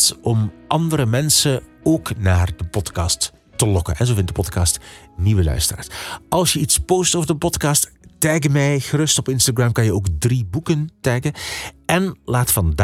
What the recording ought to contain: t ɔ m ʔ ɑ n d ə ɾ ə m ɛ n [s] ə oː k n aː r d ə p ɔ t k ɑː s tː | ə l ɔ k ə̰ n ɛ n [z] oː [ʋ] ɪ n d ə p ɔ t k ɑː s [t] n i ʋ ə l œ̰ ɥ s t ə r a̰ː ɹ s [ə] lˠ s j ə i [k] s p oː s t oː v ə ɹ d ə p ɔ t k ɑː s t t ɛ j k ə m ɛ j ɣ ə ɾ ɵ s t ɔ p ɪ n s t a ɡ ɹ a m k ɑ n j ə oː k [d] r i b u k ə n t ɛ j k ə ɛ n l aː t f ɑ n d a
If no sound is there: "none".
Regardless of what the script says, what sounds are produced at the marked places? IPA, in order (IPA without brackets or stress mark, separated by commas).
s, z, v, t, ɑ, t, d